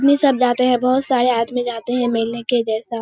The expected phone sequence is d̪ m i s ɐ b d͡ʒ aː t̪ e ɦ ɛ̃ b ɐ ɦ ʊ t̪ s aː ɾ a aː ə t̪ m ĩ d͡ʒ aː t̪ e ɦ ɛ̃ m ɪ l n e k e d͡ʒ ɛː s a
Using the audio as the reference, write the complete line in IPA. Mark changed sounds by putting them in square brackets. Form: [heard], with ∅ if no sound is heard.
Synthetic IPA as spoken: d̪ m i s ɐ b d͡ʒ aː t̪ e ɦ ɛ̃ b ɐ ɦ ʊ t̪ s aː ɾ [e] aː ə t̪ m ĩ d͡ʒ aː t̪ e ɦ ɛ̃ m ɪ l n e k e d͡ʒ ɛː s a